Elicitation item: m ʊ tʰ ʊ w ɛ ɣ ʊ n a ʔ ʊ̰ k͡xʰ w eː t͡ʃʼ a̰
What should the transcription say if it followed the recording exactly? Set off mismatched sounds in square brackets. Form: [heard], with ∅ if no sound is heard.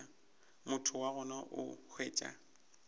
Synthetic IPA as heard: m ʊ tʰ ʊ w [a] ɣ ʊ n a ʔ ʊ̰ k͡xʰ w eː t͡ʃʼ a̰